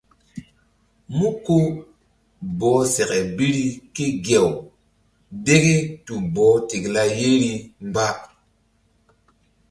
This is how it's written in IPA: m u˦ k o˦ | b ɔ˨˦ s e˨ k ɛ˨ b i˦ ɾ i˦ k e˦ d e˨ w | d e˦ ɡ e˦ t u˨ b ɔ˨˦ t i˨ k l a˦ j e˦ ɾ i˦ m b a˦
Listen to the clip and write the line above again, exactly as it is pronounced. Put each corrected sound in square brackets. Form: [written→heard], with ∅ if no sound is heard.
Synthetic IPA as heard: m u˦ k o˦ | b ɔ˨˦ s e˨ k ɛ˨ b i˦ ɾ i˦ k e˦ [d→ɡ] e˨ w | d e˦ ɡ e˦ t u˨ b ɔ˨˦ t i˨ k l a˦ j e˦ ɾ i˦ m b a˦